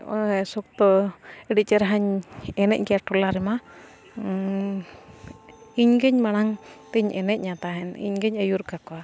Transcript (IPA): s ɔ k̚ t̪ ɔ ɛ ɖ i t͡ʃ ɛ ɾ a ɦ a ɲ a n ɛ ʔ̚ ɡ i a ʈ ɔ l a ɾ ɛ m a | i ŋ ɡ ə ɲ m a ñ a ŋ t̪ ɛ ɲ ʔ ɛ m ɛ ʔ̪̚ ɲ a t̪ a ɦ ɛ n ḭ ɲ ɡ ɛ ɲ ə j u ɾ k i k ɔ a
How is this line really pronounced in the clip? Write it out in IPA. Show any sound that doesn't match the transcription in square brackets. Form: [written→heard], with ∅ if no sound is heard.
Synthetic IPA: s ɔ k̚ t̪ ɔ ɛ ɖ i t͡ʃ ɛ ɾ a ɦ a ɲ [a→ɛ] n ɛ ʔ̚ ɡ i a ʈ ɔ l a ɾ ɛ m a | i [ŋ→ɲ] ɡ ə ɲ m a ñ a ŋ t̪ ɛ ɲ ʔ ɛ [m→n] ɛ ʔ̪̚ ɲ a t̪ a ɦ ɛ n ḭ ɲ ɡ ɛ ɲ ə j u ɾ k [i→a] k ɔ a